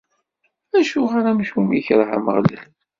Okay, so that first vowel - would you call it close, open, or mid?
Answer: open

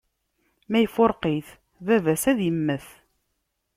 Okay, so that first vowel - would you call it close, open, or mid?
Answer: open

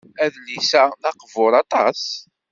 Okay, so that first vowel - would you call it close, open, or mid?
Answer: open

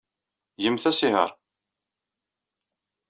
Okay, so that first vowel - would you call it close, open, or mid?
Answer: mid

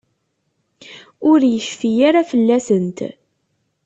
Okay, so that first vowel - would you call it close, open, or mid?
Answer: close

